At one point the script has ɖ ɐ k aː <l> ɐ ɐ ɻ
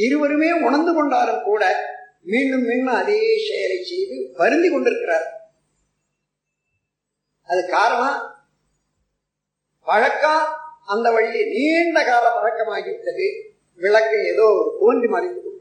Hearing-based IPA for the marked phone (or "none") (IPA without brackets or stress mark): l